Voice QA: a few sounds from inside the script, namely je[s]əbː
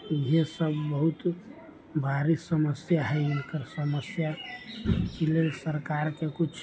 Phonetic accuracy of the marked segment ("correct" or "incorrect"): correct